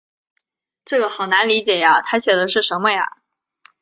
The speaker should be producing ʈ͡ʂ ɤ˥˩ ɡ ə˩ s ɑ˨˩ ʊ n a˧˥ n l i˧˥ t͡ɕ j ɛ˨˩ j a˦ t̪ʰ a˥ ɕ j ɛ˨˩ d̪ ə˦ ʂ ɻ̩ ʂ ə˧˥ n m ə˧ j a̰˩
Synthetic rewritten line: ʈ͡ʂ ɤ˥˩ ɡ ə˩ x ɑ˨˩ ʊ n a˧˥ n l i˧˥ t͡ɕ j ɛ˨˩ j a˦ t̪ʰ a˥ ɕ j ɛ˨˩ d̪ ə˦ ʂ ɻ̩ ʂ ə˧˥ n m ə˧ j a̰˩